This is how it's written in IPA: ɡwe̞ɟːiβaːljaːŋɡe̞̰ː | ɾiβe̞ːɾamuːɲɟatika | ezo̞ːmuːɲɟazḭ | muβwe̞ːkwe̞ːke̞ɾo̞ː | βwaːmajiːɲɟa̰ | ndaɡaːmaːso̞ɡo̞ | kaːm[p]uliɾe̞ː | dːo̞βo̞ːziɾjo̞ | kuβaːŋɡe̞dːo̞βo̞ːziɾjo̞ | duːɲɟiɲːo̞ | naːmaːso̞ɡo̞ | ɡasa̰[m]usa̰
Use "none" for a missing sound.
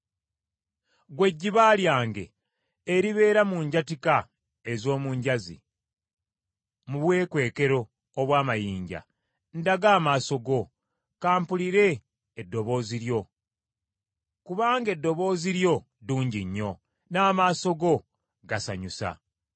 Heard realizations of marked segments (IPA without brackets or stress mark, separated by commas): p, ɲ